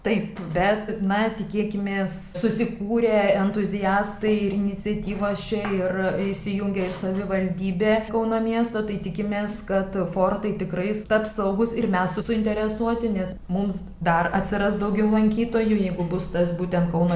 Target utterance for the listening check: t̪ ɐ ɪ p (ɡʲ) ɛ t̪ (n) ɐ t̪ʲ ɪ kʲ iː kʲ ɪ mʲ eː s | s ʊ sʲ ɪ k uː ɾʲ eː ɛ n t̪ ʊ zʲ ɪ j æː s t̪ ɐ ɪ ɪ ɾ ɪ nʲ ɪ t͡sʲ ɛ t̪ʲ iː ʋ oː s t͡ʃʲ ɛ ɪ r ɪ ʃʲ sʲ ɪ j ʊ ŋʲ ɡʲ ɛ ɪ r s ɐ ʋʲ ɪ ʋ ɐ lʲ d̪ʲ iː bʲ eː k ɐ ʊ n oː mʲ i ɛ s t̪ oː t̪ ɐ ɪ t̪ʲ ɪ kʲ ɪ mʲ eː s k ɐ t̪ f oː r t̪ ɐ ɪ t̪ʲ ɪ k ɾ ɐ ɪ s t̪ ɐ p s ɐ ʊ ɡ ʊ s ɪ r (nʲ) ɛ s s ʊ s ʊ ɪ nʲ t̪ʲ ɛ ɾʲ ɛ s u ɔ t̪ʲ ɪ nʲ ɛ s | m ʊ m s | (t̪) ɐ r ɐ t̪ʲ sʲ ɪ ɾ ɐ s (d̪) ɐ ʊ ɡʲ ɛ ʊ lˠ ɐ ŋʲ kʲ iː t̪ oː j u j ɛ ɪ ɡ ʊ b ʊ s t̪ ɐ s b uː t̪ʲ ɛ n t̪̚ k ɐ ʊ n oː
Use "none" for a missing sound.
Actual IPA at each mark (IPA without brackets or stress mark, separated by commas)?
bʲ, n, mʲ, d̪, d̪